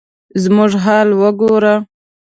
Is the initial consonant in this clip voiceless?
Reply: no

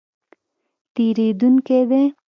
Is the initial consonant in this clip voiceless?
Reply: yes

